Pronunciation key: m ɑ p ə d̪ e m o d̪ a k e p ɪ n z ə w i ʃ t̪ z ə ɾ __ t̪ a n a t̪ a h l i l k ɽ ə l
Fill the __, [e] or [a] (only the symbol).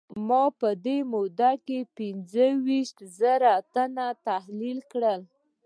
a